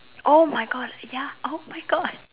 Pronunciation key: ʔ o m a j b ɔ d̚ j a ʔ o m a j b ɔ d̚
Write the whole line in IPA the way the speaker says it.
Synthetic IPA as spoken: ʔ o m a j ɡ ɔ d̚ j a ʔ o m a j ɡ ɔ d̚